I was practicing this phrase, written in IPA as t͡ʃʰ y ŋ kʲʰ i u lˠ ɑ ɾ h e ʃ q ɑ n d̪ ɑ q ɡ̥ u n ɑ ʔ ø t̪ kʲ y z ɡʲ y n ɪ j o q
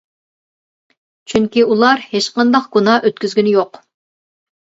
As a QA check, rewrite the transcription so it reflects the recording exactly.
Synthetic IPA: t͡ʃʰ y ŋ kʲ i u lˠ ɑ ɾ h e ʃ q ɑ n d̪ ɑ q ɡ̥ u n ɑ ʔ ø t̪ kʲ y z ɡʲ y n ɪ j o q